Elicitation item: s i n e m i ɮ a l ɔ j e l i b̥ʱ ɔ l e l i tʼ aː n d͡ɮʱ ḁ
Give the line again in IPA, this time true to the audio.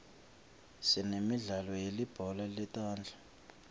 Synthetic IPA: s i n e m i ɮ a l ɔ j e l i b̥ʱ ɔ l a l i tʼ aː n d͡ɮʱ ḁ